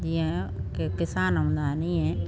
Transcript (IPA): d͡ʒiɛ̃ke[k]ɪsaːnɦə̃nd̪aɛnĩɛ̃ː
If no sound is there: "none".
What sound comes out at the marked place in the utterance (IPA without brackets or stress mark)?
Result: k